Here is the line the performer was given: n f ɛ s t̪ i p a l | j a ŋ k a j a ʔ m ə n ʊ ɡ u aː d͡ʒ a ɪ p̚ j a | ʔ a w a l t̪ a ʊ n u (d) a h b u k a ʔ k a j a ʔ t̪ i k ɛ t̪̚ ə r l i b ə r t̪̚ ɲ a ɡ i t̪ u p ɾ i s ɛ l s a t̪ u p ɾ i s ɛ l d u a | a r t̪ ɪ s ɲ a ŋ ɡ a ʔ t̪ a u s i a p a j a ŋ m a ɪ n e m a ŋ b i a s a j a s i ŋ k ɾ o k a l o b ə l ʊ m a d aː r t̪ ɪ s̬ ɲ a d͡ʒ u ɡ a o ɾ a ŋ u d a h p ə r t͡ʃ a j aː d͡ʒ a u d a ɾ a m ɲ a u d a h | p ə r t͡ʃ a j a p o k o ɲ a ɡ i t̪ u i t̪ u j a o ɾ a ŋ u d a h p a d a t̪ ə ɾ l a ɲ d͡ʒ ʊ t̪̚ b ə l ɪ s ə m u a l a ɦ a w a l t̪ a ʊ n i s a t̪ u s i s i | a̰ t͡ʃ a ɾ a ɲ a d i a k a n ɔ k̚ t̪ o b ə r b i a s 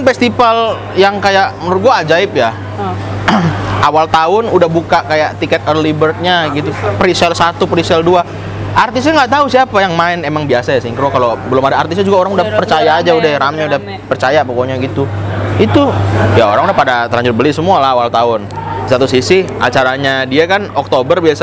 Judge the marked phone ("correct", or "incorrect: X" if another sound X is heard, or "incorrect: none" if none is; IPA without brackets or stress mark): correct